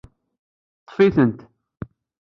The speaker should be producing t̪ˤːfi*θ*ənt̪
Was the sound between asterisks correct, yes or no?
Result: yes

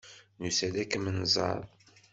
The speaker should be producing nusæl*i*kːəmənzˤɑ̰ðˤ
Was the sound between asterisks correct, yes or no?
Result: no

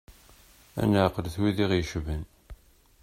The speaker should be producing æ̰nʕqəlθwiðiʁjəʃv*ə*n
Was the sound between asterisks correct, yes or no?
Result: yes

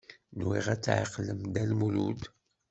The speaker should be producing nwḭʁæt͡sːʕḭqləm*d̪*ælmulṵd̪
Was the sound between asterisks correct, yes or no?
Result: yes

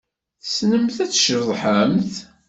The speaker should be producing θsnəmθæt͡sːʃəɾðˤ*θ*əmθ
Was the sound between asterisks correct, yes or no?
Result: no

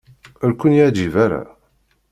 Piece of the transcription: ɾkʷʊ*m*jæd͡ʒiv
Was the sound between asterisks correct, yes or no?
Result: no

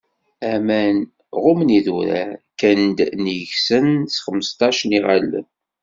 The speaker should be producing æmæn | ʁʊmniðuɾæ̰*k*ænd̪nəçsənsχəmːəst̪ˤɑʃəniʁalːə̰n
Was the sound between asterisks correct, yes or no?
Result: yes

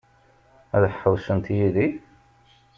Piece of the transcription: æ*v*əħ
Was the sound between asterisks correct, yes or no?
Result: no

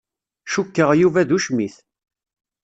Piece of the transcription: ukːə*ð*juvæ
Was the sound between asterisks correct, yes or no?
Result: no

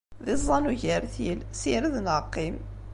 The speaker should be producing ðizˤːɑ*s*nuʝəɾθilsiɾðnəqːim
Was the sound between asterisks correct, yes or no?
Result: no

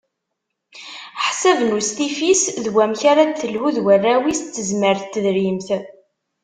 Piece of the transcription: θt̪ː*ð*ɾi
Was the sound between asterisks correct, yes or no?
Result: yes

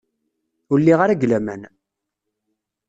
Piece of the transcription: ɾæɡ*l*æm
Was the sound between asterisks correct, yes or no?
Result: yes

